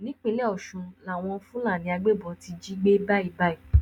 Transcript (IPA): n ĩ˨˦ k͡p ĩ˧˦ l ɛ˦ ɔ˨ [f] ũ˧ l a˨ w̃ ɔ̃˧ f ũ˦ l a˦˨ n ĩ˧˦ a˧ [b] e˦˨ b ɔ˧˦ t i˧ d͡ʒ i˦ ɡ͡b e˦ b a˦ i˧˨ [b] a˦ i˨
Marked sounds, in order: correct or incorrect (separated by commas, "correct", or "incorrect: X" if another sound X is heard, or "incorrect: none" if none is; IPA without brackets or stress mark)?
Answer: incorrect: ʃ, incorrect: ɡ͡b, correct